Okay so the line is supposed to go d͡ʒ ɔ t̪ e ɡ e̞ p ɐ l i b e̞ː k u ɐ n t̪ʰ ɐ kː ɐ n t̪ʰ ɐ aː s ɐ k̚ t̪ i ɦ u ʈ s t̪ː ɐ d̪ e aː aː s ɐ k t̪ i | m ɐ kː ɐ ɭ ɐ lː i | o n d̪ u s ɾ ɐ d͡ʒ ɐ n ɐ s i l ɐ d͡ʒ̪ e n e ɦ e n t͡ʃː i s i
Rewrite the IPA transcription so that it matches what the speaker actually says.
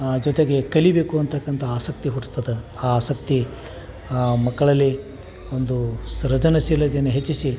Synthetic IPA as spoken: d͡ʒ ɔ t̪ e ɡ e̞ k ɐ l i b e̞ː k u ɐ n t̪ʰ ɐ kː ɐ n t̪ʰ ɐ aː s ɐ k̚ t̪ i ɦ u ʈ s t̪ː ɐ d̪ e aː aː s ɐ k t̪ i | m ɐ kː ɐ ɭ ɐ lː i | o n d̪ u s ɾ ɐ d͡ʒ ɐ n ɐ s i l ɐ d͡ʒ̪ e n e ɦ e t͡ʃː i s i